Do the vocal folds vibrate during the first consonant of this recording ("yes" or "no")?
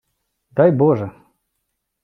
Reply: yes